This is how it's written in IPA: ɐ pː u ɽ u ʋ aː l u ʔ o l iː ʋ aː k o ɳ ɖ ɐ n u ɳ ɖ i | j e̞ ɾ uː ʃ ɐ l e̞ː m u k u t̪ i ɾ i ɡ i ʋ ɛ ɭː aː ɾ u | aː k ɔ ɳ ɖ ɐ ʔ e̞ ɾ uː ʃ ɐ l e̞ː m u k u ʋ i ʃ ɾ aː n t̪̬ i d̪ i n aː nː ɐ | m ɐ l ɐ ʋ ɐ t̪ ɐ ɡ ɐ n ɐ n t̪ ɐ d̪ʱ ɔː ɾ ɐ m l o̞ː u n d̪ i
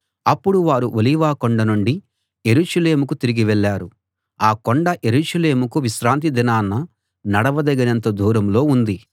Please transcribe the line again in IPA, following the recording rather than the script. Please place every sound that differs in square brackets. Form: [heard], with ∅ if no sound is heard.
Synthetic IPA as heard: ɐ pː u ɽ u ʋ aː [ɾ] u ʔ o l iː ʋ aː k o ɳ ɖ ɐ n u ɳ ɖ i | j e̞ ɾ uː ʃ ɐ l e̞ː m u k u t̪ i ɾ i ɡ i ʋ ɛ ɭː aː ɾ u | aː k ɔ ɳ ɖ ɐ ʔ e̞ ɾ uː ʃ ɐ l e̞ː m u k u ʋ i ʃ ɾ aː n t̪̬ i d̪ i n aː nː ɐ | [n] ɐ [ɽ] ɐ ʋ ɐ [d̪] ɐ ɡ ɐ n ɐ n t̪ ɐ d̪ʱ [uː] ɾ ɐ m l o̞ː u n d̪ i